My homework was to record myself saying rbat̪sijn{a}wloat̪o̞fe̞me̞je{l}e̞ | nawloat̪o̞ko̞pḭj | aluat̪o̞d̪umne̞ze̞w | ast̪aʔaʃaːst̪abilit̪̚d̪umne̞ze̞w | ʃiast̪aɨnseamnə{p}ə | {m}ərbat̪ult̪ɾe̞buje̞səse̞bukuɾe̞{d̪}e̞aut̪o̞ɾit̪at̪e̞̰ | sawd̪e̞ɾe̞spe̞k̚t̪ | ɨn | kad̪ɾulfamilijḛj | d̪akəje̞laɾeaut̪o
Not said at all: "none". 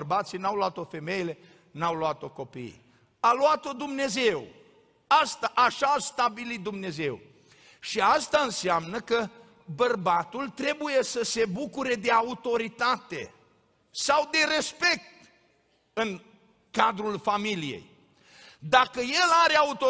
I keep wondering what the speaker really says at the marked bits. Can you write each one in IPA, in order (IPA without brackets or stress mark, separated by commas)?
a, l, k, b, d̪